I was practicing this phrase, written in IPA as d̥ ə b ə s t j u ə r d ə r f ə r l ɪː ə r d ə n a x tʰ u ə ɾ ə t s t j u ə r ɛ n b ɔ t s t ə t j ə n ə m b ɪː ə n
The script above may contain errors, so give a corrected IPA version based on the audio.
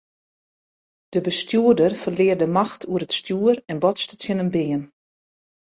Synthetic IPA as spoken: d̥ ə b ə s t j u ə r d ə r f ə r l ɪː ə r d ə m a x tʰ u ə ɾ ə t s t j u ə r ɛ n b ɔ t s t ə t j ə n ə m b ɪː ə n